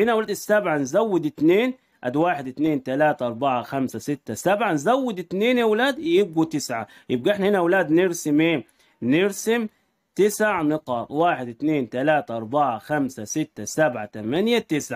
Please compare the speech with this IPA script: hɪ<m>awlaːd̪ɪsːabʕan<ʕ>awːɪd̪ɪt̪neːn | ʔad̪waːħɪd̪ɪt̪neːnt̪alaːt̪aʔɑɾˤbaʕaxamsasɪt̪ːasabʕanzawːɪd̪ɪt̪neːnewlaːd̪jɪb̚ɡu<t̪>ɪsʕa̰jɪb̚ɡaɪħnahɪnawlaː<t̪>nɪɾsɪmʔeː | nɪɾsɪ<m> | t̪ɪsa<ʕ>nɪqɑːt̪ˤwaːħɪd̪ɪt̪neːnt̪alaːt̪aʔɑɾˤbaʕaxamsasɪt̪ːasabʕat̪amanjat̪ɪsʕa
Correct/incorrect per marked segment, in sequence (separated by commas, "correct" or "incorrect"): incorrect, incorrect, correct, incorrect, correct, correct